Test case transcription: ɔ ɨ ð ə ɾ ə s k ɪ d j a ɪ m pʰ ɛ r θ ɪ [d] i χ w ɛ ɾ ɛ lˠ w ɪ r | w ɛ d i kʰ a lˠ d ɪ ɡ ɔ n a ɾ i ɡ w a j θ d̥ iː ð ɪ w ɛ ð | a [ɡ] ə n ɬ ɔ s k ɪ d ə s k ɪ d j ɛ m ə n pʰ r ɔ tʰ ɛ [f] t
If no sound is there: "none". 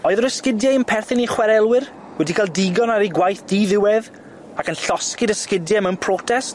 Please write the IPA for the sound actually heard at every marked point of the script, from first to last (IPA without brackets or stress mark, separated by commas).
n, k, s